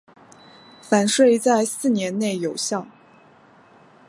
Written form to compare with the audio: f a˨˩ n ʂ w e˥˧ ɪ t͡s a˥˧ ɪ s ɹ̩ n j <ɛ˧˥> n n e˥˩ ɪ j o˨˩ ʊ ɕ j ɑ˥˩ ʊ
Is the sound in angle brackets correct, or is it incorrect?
correct